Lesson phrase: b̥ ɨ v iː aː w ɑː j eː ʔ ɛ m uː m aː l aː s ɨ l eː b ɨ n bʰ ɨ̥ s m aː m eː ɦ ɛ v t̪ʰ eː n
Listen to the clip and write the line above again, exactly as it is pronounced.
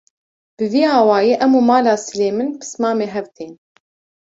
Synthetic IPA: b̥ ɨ v iː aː w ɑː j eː ʔ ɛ m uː m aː l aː s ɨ l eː m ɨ n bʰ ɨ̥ s m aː m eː ɦ ɛ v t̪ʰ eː n